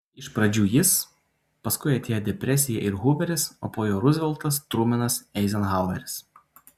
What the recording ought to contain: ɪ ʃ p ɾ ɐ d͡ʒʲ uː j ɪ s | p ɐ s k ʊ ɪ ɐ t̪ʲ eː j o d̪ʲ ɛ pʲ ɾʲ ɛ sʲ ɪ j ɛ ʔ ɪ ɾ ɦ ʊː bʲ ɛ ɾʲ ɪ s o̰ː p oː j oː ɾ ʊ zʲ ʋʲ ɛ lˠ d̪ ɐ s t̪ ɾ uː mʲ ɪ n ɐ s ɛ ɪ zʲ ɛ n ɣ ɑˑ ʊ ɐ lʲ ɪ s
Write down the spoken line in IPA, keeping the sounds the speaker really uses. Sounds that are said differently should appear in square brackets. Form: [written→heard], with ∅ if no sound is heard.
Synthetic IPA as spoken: ɪ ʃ p ɾ ɐ d͡ʒʲ uː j ɪ s | p ɐ s k ʊ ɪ ɐ t̪ʲ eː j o d̪ʲ ɛ pʲ ɾʲ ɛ sʲ ɪ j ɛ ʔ ɪ ɾ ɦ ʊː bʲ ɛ ɾʲ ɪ s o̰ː p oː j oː ɾ ʊ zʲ ʋʲ ɛ lˠ [d̪→t̪] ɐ s t̪ ɾ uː mʲ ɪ n ɐ s ɛ ɪ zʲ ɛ n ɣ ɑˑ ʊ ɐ [lʲ→ɾʲ] ɪ s

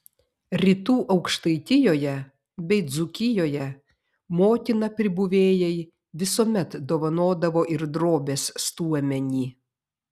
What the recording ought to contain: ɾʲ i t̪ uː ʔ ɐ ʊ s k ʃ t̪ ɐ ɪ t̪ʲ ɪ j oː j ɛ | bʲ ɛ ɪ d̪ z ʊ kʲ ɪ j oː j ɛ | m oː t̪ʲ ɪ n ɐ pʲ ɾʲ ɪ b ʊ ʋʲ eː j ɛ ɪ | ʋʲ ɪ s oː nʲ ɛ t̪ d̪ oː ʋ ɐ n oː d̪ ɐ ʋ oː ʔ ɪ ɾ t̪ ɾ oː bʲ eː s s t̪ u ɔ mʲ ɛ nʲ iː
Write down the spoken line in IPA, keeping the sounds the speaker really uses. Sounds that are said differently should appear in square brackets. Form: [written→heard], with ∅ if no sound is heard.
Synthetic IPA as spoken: ɾʲ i t̪ uː ʔ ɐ ʊ [s→∅] k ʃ t̪ ɐ ɪ t̪ʲ ɪ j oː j ɛ | bʲ ɛ ɪ d̪ z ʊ kʲ ɪ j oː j ɛ | m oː t̪ʲ ɪ n ɐ pʲ ɾʲ ɪ b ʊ ʋʲ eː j ɛ ɪ | ʋʲ ɪ s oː [nʲ→mʲ] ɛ t̪ d̪ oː ʋ ɐ n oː d̪ ɐ ʋ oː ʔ ɪ ɾ [t̪→d̪] ɾ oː bʲ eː s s t̪ u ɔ mʲ ɛ nʲ iː

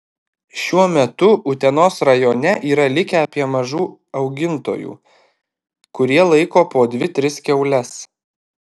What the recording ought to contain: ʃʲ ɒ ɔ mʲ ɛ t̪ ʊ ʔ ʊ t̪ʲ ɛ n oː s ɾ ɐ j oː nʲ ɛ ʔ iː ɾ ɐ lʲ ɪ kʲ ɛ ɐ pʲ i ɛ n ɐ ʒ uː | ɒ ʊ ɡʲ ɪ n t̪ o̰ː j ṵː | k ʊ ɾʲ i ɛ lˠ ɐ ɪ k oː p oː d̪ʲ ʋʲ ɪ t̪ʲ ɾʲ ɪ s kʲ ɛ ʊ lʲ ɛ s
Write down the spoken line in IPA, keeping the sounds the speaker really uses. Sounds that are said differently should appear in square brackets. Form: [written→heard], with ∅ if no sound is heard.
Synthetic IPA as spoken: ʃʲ [ɒ→u] ɔ mʲ ɛ t̪ ʊ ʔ ʊ t̪ʲ ɛ n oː s ɾ ɐ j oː nʲ ɛ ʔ iː ɾ ɐ lʲ ɪ kʲ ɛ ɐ pʲ i ɛ [n→m] ɐ ʒ uː | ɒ ʊ ɡʲ ɪ n t̪ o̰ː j ṵː | k ʊ ɾʲ i ɛ lˠ ɐ ɪ k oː p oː d̪ʲ ʋʲ ɪ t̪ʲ ɾʲ ɪ s kʲ ɛ ʊ lʲ ɛ s

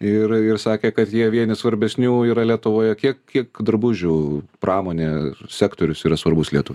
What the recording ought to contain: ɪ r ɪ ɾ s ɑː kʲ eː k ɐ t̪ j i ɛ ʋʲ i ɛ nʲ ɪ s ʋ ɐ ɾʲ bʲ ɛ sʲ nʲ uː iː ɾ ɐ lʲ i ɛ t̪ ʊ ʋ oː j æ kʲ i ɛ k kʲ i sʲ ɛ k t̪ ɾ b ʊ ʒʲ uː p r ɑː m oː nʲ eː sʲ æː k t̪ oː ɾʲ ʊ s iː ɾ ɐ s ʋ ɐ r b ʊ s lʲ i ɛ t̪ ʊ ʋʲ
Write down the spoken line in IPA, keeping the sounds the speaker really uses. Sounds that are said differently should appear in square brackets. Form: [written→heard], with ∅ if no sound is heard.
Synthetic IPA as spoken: ɪ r ɪ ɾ s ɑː kʲ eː k ɐ t̪ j i ɛ ʋʲ i ɛ nʲ ɪ s ʋ ɐ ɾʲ bʲ ɛ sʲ nʲ uː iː ɾ ɐ lʲ i ɛ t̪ ʊ ʋ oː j [æ→ɛ] kʲ i ɛ k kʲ i [sʲ→∅] ɛ k [t̪→d̪] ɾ b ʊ ʒʲ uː p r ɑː m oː nʲ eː sʲ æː k t̪ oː ɾʲ ʊ s iː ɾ ɐ s ʋ ɐ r b ʊ s lʲ i ɛ t̪ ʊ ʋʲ

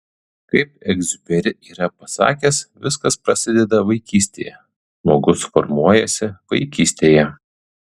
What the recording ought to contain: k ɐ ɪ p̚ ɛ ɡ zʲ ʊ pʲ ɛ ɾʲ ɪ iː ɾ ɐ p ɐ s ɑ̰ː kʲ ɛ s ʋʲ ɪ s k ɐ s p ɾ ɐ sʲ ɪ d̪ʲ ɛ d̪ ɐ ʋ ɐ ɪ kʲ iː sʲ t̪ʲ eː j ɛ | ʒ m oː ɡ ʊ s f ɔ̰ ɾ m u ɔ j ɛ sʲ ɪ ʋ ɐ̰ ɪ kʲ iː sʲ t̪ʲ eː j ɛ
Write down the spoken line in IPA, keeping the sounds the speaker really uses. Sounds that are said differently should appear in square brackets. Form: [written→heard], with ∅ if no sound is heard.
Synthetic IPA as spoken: k ɐ ɪ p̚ ɛ ɡ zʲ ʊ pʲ ɛ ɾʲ ɪ iː ɾ ɐ p ɐ s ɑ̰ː kʲ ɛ s ʋʲ ɪ s k ɐ s p ɾ ɐ sʲ ɪ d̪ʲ ɛ d̪ ɐ ʋ ɐ ɪ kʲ iː sʲ t̪ʲ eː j ɛ | ʒ m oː ɡ ʊ s f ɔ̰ ɾ m u ɔ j ɛ sʲ ɪ ʋ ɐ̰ ɪ kʲ iː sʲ t̪ʲ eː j ɛ

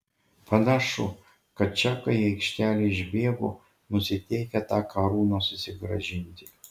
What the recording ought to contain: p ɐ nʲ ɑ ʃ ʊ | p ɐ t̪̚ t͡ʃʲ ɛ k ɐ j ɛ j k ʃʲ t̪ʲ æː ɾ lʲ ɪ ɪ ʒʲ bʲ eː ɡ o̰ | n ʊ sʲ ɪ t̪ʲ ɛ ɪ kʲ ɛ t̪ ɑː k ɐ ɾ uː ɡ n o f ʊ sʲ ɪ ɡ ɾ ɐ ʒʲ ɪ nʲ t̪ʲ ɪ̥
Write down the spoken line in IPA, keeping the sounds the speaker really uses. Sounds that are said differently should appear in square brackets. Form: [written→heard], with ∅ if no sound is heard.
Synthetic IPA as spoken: p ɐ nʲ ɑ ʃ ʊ | [p→k] ɐ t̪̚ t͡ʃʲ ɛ k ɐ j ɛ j k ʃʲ t̪ʲ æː [ɾ→∅] lʲ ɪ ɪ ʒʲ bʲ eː ɡ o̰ | n ʊ sʲ ɪ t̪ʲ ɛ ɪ kʲ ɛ t̪ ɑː k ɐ ɾ uː [ɡ→∅] n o [f→s] ʊ sʲ ɪ ɡ ɾ ɐ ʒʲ ɪ nʲ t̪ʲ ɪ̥

